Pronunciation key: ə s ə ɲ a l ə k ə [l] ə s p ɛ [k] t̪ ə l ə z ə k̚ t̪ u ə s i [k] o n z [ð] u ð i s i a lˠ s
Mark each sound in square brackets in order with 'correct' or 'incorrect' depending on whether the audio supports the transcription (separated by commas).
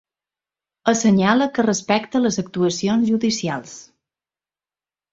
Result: incorrect, correct, incorrect, incorrect